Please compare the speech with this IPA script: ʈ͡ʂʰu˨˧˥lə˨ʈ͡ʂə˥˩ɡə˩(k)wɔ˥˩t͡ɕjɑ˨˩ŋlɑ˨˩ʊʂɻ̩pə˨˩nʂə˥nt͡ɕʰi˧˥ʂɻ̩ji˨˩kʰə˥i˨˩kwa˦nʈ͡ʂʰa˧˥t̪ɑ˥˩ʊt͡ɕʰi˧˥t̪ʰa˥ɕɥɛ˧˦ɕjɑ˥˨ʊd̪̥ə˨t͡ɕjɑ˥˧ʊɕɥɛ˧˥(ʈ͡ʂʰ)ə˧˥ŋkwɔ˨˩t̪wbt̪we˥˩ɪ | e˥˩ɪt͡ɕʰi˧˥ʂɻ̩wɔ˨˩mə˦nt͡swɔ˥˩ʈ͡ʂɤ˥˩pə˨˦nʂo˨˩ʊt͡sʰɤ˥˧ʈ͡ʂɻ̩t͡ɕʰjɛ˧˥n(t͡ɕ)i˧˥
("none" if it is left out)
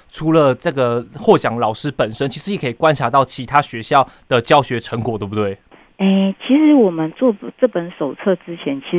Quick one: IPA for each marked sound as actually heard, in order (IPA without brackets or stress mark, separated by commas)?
x, ʈ͡ʂʰ, t͡ɕʰ